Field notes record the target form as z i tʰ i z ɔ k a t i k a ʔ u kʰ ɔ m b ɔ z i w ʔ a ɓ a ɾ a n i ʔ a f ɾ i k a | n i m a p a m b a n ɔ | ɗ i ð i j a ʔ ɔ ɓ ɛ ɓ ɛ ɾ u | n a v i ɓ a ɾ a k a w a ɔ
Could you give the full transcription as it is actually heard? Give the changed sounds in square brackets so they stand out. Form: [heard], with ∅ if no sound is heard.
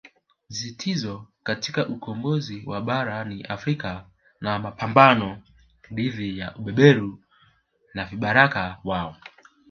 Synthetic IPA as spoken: z i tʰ i z ɔ k a t i k a ʔ u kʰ ɔ m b ɔ z i w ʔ a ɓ a ɾ a n i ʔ a f ɾ i k a | n [a] m a p a m b a n ɔ | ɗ i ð i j a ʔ [u] ɓ ɛ ɓ ɛ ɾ u | n a v i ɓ a ɾ a k a w a ɔ